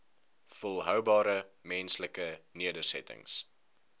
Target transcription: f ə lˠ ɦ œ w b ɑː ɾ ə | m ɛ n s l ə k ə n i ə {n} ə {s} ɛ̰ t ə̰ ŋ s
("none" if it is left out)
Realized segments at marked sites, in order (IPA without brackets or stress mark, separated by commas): d, s